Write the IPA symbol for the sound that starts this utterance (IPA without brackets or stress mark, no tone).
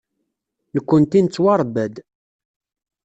n